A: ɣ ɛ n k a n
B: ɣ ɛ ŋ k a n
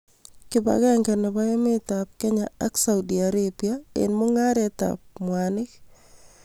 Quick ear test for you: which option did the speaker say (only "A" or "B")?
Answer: B